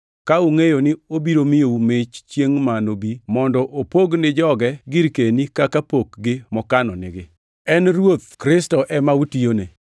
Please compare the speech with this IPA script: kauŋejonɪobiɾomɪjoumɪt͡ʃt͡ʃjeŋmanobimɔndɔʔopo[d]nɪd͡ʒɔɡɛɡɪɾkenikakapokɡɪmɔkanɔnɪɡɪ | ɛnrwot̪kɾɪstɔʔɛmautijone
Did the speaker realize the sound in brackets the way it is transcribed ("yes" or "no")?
no